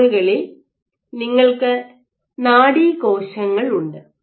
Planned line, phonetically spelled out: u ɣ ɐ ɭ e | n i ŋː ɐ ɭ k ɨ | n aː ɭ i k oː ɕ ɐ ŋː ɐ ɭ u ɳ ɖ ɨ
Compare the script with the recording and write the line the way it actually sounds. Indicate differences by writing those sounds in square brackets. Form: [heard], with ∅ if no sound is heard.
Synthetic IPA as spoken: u ɣ ɐ ɭ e | n i ŋː ɐ ɭ k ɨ | n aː [ɽ] i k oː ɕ ɐ ŋː ɐ ɭ u ɳ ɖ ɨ

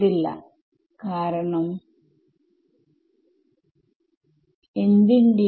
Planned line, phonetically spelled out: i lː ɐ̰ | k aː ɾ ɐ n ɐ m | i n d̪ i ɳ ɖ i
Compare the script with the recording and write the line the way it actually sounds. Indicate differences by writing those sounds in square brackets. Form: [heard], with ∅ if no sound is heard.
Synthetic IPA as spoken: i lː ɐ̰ | k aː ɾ ɐ [ɳ] ɐ m | [e] n d̪ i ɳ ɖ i

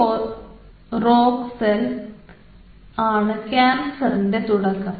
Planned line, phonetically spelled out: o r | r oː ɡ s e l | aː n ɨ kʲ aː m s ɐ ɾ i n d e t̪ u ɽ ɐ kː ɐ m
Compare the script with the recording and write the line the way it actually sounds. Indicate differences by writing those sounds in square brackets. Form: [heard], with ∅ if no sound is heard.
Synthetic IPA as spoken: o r | r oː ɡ s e l | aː [ɳ] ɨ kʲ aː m s ɐ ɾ i n d e t̪ u ɽ ɐ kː ɐ m

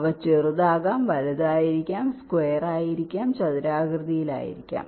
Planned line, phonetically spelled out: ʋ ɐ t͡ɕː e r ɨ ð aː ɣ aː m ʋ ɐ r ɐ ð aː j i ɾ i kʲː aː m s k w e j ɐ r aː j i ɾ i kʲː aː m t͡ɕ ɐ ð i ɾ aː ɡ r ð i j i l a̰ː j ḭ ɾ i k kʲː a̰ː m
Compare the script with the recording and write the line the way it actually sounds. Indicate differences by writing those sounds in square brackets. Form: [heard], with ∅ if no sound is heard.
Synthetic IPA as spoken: ʋ ɐ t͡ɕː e r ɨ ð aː ɣ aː m ʋ ɐ [l] ɐ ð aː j i ɾ i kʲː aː m s k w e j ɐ r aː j i ɾ i kʲː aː m t͡ɕ ɐ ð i ɾ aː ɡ r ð i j i l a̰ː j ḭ ɾ i k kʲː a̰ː m

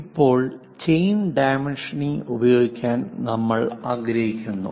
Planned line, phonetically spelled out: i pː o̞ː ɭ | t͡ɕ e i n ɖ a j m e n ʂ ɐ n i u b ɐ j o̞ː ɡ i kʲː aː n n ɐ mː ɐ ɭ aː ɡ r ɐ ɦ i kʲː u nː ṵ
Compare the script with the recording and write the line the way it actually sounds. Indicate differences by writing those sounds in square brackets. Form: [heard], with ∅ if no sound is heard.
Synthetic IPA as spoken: i pː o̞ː ɭ | t͡ɕ e [j] n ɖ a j m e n ʂ ɐ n i u b ɐ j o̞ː ɡ i kʲː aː n n ɐ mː ɐ ɭ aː ɡ [ɾ] ɐ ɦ i kʲː u nː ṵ

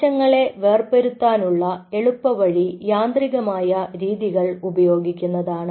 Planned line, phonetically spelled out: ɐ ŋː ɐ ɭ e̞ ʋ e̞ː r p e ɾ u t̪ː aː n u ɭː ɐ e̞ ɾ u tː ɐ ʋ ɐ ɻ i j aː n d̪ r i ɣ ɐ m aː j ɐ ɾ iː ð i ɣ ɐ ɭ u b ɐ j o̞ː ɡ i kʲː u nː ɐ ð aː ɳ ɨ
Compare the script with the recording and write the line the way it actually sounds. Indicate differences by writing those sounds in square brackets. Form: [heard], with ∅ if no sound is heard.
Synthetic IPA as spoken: ɐ ŋː ɐ ɭ e̞ ʋ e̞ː r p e ɾ u t̪ː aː n u ɭː ɐ e̞ [ɭ] u [pː] ɐ ʋ ɐ ɻ i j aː n d̪ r i ɣ ɐ m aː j ɐ ɾ iː ð i ɣ ɐ ɭ u b ɐ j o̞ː ɡ i kʲː u nː ɐ ð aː ɳ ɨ

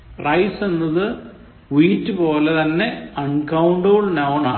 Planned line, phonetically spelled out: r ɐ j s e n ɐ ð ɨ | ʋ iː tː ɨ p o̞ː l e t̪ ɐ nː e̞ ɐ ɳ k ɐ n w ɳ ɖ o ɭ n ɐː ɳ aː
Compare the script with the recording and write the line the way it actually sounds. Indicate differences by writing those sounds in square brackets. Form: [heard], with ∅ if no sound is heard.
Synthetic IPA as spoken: r ɐ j s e [nː] ɐ ð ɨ | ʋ iː tː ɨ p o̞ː l e t̪ ɐ nː e̞ ɐ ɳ k ɐ [∅] w ɳ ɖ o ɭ n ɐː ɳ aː

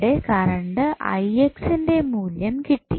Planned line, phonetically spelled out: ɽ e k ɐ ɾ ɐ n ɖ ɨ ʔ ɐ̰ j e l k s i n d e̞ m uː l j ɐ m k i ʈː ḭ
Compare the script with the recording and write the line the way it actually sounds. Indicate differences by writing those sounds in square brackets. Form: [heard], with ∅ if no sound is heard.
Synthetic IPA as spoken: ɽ e k ɐ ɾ ɐ [ɳ] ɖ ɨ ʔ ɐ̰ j e [∅] k s i n d e̞ m uː l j ɐ m k i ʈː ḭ

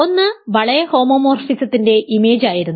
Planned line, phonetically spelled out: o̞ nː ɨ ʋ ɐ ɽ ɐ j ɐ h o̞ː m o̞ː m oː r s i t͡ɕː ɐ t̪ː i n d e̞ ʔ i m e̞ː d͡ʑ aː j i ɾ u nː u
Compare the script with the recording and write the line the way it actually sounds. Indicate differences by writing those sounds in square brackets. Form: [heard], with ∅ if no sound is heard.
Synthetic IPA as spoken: o̞ nː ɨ ʋ ɐ [ɭ] ɐ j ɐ h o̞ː m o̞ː m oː r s i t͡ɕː ɐ t̪ː i n d e̞ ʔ i m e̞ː d͡ʑ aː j i ɾ u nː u

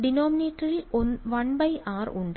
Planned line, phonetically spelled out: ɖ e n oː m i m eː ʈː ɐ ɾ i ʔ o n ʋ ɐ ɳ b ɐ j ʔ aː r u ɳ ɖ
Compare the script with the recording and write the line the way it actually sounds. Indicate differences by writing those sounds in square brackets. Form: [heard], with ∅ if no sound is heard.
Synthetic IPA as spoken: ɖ [i] n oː m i [n] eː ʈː ɐ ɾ i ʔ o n ʋ ɐ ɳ b ɐ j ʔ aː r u ɳ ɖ

